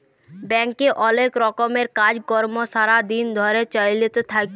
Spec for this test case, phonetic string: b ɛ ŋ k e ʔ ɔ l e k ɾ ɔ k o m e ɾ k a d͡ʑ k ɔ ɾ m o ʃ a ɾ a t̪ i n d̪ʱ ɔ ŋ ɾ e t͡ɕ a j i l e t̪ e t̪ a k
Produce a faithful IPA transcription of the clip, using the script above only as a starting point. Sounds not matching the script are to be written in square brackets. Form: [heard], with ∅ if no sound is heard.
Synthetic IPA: b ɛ ŋ k e ʔ ɔ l e k ɾ ɔ k o m e ɾ k a d͡ʑ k ɔ ɾ m o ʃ a ɾ a [d̪] i n d̪ʱ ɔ [∅] ɾ e t͡ɕ a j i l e t̪ e [t̪ʰ] a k